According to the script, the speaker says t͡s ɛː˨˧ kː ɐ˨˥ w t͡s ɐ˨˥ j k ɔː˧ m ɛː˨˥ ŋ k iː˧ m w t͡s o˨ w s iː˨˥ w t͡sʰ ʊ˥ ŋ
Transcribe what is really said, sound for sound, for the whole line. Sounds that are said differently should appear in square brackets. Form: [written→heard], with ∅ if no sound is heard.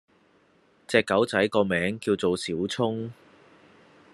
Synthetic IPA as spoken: t͡s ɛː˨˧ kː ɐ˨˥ w t͡s ɐ˨˥ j k ɔː˧ m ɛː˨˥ ŋ k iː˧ [m→∅] w t͡s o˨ w s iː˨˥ w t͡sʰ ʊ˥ ŋ